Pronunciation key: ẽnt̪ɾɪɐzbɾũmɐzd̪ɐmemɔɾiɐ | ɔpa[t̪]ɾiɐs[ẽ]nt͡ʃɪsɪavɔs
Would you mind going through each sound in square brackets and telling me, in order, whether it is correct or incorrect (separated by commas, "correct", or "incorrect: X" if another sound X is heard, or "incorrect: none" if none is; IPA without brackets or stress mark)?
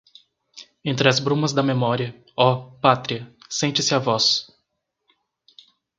correct, correct